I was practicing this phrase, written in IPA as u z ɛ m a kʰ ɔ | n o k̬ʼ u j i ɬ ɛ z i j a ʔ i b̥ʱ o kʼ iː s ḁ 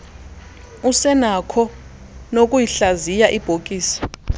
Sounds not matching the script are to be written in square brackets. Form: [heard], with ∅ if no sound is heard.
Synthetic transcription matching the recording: u [s] ɛ [n] a kʰ ɔ | n o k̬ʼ u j i ɬ [a] z i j a ʔ i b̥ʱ o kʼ iː s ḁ